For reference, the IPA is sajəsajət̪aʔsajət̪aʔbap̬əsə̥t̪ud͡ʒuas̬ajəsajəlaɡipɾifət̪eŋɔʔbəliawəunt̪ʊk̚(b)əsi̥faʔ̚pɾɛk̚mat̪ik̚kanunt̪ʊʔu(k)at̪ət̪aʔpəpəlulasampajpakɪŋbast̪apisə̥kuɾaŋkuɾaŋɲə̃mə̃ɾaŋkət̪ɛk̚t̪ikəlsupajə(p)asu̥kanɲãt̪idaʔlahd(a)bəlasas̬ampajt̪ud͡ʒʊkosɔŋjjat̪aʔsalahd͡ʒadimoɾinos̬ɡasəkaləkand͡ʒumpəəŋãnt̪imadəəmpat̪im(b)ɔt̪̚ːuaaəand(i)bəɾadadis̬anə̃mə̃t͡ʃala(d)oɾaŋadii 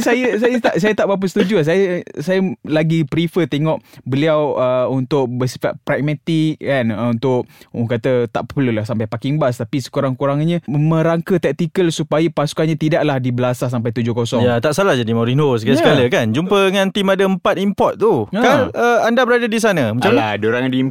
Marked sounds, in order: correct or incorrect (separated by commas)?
correct, correct, correct, incorrect, incorrect, incorrect, correct